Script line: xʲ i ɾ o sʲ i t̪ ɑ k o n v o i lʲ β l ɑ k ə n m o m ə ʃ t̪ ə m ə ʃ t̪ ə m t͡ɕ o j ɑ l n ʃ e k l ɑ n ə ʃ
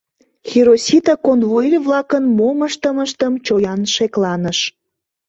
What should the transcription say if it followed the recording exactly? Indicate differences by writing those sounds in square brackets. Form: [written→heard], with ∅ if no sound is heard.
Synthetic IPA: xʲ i ɾ o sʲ i t̪ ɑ k o n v o i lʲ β l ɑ k ə n m o m ə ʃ t̪ ə m ə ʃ t̪ ə m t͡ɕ o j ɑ [l→∅] n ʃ e k l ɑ n ə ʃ